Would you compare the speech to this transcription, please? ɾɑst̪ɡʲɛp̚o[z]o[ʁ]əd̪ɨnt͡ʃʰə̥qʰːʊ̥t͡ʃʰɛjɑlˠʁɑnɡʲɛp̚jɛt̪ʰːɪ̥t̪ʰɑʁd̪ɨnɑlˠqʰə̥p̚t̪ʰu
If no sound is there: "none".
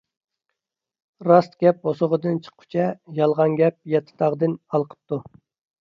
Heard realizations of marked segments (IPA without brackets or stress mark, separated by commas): s, ʁ